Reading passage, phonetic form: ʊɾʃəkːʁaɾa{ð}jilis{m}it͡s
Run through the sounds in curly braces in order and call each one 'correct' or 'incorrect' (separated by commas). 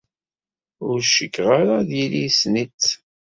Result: correct, incorrect